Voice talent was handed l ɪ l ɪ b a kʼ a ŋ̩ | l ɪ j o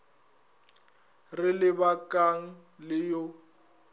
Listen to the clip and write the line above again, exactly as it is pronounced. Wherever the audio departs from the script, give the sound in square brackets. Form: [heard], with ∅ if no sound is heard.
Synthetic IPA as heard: [r] ɪ l ɪ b a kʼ a ŋ̩ | l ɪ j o